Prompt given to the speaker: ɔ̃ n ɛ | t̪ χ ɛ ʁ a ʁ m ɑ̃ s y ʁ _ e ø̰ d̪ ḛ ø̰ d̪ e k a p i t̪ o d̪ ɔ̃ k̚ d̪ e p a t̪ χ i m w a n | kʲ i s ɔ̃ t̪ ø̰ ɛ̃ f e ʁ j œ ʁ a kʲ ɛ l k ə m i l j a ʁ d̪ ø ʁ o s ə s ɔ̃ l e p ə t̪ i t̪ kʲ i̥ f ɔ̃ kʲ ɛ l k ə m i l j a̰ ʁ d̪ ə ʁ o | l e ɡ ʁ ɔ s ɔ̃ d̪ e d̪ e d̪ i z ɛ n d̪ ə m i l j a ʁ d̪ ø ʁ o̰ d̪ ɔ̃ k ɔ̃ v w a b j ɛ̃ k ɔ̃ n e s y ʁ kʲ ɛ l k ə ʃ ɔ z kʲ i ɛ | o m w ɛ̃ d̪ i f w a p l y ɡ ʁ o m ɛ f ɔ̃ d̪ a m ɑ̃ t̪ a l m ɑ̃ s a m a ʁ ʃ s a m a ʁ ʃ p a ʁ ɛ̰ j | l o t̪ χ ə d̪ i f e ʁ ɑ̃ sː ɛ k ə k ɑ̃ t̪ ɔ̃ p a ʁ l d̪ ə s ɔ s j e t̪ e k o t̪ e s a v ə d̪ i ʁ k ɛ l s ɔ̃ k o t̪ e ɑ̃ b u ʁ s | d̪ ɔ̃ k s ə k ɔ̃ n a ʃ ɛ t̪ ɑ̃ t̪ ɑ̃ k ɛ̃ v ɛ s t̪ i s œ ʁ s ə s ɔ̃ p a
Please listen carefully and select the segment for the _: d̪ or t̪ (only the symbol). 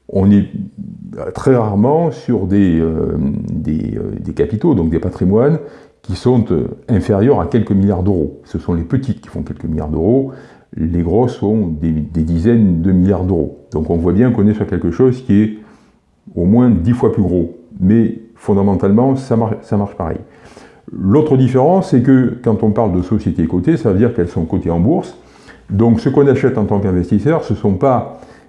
d̪